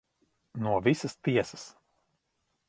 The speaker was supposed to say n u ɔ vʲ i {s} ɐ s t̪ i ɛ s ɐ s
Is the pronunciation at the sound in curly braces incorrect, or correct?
correct